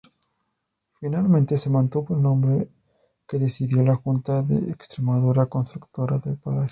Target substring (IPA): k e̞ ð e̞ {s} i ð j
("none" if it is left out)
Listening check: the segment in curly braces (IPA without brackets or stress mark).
s